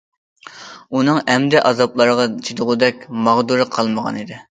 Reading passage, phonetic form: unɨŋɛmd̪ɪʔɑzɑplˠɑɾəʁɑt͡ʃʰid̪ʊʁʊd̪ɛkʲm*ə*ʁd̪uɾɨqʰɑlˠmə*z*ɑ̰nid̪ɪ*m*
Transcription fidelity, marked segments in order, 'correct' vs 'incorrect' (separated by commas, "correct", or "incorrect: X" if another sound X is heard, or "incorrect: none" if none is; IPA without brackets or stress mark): incorrect: ɑ, incorrect: ʁ, incorrect: none